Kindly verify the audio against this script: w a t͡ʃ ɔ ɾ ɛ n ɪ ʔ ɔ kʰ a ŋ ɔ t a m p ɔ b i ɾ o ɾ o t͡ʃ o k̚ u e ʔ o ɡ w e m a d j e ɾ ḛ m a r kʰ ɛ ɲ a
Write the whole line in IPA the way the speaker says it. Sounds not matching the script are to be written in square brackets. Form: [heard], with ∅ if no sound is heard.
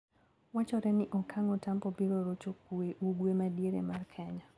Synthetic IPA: w a t͡ʃ ɔ ɾ ɛ n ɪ ʔ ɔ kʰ a ŋ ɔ t a m p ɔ b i ɾ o ɾ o t͡ʃ o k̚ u e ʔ [u] ɡ w e m a d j e ɾ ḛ m a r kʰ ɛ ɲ a